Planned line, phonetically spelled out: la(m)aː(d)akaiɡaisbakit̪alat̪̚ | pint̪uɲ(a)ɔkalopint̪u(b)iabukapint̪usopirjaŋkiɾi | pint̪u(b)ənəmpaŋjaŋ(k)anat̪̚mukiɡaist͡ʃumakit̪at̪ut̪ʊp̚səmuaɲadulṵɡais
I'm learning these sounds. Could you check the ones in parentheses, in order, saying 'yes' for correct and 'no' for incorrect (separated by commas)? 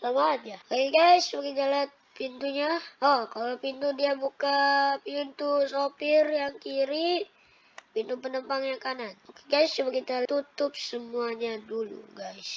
yes, no, yes, no, no, yes